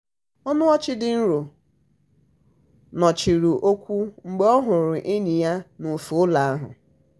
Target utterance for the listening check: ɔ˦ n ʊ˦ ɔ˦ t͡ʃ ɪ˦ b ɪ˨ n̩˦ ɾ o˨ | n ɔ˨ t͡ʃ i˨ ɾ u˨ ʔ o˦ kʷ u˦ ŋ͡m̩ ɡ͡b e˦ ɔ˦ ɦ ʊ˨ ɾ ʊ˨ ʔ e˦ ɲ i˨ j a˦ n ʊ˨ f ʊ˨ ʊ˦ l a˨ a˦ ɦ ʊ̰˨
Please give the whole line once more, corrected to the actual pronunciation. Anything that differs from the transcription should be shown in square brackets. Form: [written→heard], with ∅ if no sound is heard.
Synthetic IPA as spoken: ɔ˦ n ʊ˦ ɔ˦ t͡ʃ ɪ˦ [b→d] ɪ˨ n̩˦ ɾ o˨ | n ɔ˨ t͡ʃ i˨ ɾ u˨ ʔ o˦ kʷ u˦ ŋ͡m̩ ɡ͡b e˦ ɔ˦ ɦ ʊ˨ ɾ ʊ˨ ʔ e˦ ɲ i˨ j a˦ n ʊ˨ f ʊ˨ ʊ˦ l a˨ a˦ ɦ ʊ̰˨